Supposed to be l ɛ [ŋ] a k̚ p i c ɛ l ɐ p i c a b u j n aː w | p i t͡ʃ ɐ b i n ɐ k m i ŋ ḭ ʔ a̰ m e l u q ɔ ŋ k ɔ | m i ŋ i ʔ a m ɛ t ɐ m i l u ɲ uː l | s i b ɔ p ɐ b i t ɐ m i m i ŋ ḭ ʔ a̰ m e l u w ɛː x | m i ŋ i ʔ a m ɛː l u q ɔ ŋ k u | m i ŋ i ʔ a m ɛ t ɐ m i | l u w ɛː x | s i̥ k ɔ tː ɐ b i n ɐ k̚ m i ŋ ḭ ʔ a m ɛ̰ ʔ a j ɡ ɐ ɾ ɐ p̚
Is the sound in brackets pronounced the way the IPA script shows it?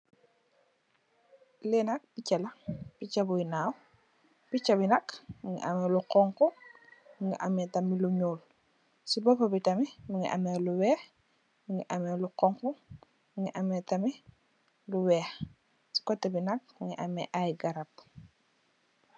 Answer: no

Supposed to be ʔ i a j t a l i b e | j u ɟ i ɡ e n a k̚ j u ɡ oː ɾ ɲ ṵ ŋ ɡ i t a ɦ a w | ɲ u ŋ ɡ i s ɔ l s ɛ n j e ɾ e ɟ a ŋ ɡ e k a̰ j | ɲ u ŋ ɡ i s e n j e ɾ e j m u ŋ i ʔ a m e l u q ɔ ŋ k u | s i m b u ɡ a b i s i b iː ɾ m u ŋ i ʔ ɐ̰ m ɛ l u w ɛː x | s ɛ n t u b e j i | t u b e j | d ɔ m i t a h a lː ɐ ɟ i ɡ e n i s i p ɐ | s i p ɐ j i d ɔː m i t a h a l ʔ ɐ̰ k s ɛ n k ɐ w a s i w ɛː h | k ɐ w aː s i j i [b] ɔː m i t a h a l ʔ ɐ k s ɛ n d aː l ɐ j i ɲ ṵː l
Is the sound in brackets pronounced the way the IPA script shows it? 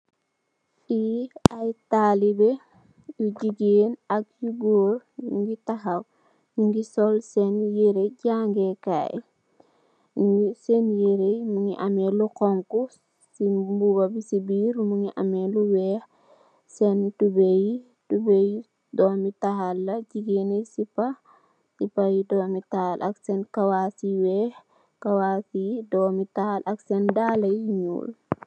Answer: no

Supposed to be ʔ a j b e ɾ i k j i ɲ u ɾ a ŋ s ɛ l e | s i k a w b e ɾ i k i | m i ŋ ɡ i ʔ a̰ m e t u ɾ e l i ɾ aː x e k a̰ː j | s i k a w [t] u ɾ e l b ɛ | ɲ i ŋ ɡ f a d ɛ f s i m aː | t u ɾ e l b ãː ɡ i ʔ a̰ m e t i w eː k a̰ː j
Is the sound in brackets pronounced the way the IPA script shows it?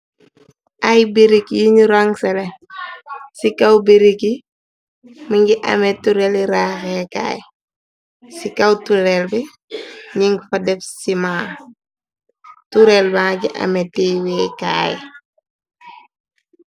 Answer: yes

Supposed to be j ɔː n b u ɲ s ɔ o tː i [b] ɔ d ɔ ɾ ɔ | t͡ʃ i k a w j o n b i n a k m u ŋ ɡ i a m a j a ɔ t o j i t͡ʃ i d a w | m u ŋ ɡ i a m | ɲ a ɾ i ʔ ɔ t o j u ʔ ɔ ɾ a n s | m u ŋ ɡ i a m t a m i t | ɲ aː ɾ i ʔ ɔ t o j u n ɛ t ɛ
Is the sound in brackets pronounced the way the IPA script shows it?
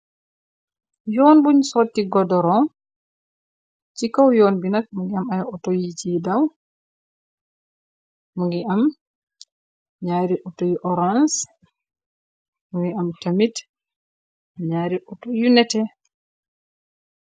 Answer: no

